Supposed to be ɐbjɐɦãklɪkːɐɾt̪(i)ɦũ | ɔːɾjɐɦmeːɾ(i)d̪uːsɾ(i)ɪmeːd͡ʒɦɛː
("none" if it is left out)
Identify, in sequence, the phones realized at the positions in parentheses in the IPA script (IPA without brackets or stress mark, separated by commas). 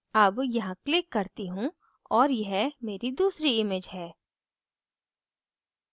i, i, i